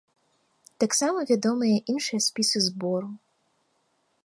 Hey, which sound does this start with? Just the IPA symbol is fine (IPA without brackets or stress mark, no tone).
t̪